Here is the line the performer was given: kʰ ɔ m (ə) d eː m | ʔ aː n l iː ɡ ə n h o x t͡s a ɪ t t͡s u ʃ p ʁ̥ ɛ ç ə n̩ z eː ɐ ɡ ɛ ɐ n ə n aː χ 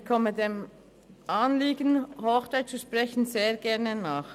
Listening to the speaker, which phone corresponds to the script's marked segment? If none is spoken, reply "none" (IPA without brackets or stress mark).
ə